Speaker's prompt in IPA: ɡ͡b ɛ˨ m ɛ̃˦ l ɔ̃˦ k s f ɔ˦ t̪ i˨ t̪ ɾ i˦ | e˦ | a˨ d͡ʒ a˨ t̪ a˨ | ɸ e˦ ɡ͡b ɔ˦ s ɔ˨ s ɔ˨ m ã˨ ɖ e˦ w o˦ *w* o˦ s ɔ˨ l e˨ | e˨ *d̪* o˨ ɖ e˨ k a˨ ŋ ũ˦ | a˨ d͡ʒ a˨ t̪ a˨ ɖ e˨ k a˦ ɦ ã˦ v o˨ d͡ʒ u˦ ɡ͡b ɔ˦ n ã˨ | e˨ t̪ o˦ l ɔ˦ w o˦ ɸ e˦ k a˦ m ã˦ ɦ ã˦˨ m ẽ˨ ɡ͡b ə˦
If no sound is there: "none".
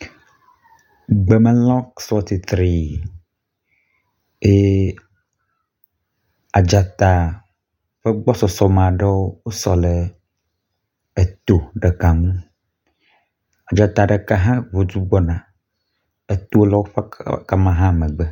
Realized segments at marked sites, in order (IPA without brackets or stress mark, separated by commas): w, t̪